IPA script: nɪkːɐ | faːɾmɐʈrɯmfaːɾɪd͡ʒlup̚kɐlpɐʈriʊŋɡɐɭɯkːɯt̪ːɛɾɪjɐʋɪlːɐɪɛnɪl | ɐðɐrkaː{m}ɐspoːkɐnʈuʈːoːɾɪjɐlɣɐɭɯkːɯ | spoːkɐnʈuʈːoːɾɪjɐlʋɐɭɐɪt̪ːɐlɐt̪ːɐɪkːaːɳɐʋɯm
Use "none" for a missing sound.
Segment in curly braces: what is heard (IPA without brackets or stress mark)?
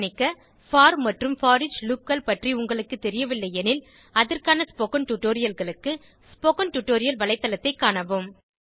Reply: n